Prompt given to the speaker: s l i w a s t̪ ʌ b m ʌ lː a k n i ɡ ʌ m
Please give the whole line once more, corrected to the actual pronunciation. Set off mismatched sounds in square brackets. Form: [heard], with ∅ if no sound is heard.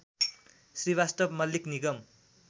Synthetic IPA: s [r] i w a s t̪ ʌ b m ʌ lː [i] k n i ɡ ʌ m